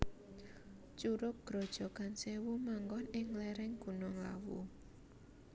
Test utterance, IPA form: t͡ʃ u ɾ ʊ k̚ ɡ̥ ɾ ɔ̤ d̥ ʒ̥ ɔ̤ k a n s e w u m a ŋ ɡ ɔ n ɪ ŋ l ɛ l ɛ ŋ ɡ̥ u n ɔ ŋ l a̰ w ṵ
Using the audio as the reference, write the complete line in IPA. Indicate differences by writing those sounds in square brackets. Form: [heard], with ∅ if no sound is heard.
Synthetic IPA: t͡ʃ u ɾ ʊ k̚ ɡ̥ ɾ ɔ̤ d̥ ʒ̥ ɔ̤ k a n s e w u m a ŋ ɡ ɔ n ɪ ŋ l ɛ [ɾ] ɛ ŋ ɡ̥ u n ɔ ŋ l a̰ w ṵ